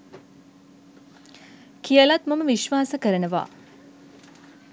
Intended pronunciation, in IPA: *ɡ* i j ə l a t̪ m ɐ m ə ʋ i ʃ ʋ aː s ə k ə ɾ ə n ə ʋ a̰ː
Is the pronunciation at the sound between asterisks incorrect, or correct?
incorrect